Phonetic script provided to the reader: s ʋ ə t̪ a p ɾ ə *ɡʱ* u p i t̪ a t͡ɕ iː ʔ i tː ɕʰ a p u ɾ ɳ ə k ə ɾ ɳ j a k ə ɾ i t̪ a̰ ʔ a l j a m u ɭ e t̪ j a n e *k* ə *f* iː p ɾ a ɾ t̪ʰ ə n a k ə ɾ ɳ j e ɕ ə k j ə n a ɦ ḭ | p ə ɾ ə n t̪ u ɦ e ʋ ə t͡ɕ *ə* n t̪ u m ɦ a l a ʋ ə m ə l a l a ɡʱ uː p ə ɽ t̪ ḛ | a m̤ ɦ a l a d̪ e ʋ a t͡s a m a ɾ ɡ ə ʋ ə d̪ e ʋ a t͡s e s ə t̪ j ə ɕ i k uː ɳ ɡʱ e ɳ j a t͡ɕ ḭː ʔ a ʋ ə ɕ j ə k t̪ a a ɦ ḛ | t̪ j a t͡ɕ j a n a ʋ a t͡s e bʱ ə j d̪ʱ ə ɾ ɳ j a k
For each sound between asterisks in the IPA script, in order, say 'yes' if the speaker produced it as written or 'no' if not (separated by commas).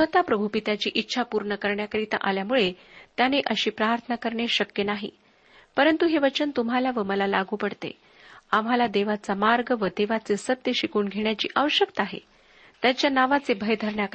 no, no, no, yes